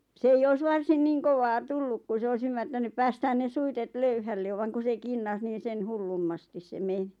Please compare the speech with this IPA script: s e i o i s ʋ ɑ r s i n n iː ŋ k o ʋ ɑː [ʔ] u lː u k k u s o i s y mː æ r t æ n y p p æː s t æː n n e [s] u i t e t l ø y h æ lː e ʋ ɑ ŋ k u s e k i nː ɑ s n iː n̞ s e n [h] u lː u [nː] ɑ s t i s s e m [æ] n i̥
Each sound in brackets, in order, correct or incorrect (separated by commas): incorrect, correct, correct, incorrect, incorrect